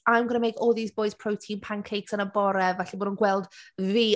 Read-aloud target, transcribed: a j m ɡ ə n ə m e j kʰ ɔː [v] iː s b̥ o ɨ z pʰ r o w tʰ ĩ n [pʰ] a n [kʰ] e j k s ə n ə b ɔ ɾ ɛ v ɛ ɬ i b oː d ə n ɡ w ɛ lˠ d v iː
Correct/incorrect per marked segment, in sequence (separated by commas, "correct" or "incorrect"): incorrect, correct, correct